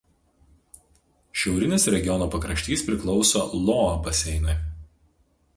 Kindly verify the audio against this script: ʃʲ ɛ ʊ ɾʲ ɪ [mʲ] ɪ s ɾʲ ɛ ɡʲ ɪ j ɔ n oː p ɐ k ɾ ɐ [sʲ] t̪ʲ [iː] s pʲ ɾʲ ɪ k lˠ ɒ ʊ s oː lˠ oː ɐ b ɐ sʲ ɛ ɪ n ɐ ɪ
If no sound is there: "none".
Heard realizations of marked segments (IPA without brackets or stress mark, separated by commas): nʲ, ʃʲ, iː